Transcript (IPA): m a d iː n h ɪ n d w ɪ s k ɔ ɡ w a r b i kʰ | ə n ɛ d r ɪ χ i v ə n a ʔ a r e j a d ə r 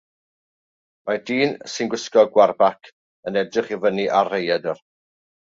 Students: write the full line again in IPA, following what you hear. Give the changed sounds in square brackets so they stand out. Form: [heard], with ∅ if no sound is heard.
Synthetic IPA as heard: m a d iː n [s] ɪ n [ɡ] w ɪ s k ɔ ɡ w a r b [a] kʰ | ə n ɛ d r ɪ χ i v ə n [i] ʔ a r e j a d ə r